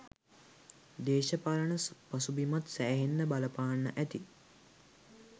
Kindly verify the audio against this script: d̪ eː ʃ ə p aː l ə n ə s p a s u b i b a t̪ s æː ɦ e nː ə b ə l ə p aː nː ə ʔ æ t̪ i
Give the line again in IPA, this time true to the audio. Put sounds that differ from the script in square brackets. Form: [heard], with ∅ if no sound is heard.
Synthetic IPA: d̪ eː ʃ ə p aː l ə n ə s p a s u b i [m] a t̪ s æː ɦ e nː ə b [a] l ə p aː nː ə ʔ æ t̪ i